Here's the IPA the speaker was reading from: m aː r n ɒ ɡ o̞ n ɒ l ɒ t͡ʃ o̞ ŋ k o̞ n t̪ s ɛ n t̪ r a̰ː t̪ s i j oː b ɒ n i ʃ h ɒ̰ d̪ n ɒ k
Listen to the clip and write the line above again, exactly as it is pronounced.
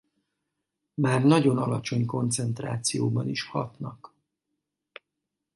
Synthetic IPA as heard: m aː r n ɒ ɟ o̞ n ɒ l ɒ t͡ʃ o̞ ɲ k o̞ n t̪ s ɛ n t̪ r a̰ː t̪ s i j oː b ɒ n i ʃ h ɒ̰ t̪ n ɒ k